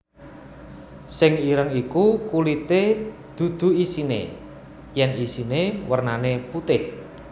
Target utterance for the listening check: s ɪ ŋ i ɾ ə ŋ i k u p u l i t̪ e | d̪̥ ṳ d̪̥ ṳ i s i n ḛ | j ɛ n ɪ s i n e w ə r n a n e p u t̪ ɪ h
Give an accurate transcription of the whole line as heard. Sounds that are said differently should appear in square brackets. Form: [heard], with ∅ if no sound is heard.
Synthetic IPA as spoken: s ɪ ŋ i ɾ ə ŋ i k u [k] u l i t̪ e | d̪̥ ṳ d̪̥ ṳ i s i n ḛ | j ɛ n [i] s i n e w ə r n a n e p u t̪ ɪ h